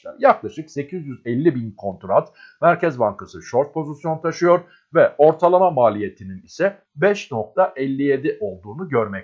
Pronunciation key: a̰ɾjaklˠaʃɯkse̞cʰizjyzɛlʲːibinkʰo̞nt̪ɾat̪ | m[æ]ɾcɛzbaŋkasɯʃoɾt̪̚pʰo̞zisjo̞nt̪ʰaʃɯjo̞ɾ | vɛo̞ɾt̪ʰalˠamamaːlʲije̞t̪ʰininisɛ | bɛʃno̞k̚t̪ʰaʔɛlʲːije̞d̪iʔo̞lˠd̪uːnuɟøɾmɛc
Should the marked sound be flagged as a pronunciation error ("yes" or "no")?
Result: no